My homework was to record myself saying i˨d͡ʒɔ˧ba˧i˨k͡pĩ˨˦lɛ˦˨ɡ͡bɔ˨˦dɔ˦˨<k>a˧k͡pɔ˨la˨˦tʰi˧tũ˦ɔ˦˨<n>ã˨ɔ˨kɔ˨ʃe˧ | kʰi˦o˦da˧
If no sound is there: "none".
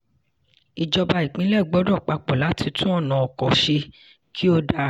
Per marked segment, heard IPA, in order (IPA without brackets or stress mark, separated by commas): k͡p, n